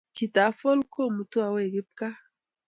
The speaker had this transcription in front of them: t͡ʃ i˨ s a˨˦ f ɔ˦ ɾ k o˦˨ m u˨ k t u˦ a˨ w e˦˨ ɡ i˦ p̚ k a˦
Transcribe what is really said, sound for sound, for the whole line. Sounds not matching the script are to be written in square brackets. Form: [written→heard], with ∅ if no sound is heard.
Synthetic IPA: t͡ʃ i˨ [s→t] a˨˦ f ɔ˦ [ɾ→l] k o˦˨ m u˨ [k→∅] t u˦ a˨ w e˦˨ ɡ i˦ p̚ k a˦

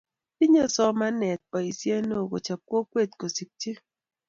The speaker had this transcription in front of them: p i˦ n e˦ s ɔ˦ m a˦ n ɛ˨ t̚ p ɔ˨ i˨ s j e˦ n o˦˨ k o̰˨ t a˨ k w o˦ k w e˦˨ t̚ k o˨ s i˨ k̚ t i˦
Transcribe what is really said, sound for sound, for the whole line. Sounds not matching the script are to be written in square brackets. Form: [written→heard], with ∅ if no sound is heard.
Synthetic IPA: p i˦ [n→ɲ] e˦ s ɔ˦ m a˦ n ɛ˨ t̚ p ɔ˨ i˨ s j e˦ n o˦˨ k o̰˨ [t→t͡ʃ] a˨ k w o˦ k w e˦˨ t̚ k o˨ s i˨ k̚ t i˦

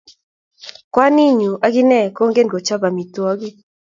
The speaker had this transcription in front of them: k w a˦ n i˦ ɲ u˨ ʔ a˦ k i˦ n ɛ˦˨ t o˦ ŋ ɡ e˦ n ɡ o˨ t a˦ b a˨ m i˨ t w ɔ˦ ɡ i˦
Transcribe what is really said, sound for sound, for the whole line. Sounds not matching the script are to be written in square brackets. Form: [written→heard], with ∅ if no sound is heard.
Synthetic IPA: k w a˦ n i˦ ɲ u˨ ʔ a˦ [k→ɡ] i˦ n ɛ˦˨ [t→k] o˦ ŋ ɡ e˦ n ɡ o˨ [t→t͡ʃ] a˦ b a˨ m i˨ t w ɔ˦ ɡ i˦

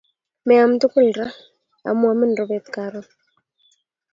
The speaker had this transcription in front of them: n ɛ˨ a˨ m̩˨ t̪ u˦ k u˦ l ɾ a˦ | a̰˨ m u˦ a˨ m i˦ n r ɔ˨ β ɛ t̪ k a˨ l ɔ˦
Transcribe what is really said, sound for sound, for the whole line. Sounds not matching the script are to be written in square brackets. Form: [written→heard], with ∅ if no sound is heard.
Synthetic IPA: [n→m] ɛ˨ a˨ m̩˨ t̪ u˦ k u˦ l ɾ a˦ | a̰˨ m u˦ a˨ m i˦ n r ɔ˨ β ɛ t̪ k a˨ [l→ɾ] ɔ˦

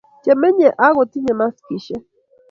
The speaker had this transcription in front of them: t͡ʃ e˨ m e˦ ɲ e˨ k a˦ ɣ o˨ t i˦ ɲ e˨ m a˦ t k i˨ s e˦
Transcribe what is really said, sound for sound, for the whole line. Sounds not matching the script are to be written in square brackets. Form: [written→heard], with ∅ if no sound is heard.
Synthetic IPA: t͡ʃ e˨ m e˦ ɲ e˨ [k→ʔ] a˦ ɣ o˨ t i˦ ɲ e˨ m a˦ [t→s] k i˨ [s→ʃ] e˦

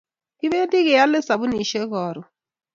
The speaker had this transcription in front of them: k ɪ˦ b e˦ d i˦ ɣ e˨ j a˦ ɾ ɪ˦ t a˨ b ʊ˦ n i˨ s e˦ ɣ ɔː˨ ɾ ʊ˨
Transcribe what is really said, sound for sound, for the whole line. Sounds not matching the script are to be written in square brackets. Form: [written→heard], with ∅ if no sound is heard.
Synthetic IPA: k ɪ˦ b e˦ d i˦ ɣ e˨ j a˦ [ɾ→l] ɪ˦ [t→s] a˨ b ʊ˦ n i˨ [s→ʃ] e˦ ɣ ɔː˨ ɾ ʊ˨

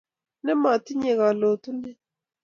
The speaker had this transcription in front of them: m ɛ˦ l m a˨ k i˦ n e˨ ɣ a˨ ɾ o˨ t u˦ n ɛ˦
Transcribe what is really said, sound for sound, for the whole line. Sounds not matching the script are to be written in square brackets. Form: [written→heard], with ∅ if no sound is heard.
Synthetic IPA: [m→n] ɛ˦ [l→∅] m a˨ [k→t] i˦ [n→ɲ] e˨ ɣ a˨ [ɾ→l] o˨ t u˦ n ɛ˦

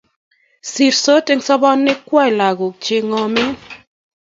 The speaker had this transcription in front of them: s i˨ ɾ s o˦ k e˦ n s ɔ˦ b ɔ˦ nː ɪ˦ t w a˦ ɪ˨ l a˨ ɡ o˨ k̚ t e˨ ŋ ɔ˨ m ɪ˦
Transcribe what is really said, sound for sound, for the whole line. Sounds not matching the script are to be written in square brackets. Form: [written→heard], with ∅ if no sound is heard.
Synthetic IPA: s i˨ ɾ s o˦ [k→t] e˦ [n→ŋ] s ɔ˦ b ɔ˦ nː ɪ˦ [t→k] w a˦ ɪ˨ l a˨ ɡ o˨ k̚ [t→t͡ʃ] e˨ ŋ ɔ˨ m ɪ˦

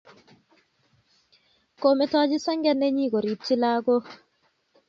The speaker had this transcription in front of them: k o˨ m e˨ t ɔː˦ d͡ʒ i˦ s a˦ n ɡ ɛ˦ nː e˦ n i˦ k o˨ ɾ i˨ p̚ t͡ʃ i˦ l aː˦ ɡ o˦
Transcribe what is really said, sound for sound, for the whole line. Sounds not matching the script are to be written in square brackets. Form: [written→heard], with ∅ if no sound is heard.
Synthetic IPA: k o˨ m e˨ t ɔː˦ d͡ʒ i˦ s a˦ [n→ŋ] ɡ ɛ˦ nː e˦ [n→ɲ] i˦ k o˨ ɾ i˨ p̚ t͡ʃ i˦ l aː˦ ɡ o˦

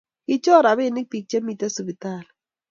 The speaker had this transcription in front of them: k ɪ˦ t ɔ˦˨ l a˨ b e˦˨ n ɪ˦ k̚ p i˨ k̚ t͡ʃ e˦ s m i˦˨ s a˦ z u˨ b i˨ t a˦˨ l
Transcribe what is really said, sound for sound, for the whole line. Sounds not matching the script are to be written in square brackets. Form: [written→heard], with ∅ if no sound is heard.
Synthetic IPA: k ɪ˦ [t→t͡ʃ] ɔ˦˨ [l→ɾ] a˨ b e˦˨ n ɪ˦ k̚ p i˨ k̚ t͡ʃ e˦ [s→∅] m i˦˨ [s→t] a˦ [z→s] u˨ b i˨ t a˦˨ l

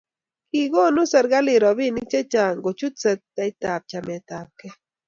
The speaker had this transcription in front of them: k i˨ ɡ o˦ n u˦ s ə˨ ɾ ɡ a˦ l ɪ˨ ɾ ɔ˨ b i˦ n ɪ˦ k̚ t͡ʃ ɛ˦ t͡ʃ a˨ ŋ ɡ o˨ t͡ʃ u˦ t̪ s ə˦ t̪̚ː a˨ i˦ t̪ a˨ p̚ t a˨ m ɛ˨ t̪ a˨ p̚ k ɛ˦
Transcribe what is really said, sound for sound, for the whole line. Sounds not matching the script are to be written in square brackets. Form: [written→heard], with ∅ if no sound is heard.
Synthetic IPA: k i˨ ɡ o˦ n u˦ s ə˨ ɾ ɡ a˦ l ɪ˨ ɾ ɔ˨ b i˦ n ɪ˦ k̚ t͡ʃ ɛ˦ t͡ʃ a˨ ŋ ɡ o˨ t͡ʃ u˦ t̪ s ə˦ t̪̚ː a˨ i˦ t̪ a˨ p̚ [t→t͡ʃ] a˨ m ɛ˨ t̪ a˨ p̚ k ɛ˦

